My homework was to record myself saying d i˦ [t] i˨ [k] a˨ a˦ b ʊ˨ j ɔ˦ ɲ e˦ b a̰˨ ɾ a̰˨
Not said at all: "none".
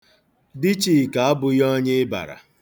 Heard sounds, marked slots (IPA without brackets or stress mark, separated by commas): t͡ʃ, k